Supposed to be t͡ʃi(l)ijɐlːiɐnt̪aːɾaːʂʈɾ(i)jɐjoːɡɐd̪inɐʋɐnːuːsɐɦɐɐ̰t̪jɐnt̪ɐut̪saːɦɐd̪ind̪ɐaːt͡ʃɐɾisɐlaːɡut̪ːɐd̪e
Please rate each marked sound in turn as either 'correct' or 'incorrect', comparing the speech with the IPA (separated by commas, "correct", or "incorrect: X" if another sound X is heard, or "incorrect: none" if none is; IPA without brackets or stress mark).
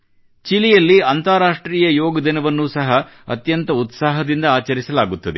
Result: correct, incorrect: iː